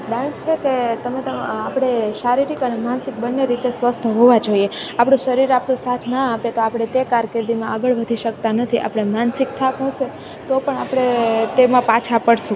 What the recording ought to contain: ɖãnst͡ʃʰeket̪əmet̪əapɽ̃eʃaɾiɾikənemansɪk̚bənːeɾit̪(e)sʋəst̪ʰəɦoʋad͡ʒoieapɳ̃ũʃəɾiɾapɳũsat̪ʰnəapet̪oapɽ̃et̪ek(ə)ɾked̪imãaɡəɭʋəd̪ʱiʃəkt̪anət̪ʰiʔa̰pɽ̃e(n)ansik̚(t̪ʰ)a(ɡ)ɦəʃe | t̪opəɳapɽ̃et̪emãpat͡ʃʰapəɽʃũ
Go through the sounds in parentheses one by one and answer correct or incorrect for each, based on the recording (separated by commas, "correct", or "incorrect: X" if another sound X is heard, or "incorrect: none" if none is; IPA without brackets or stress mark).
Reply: correct, incorrect: a, incorrect: m, correct, incorrect: k